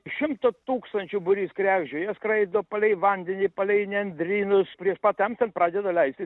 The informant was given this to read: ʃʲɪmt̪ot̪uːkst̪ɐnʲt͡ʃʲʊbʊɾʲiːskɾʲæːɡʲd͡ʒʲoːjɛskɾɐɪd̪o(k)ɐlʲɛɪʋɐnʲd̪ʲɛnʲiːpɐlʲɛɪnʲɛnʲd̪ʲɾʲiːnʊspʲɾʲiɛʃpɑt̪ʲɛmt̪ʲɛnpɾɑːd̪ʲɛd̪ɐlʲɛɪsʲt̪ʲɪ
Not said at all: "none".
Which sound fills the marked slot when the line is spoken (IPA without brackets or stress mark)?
p